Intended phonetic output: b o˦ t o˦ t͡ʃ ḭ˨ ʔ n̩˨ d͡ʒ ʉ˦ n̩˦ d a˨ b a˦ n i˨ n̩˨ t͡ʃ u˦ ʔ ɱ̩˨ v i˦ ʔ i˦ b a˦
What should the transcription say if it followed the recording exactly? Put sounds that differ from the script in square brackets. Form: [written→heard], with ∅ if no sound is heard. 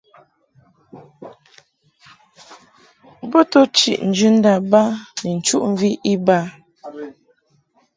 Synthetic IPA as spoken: b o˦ t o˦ t͡ʃ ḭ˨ ʔ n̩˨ d͡ʒ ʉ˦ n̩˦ d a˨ b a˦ n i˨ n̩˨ t͡ʃ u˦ ʔ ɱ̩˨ v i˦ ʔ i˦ b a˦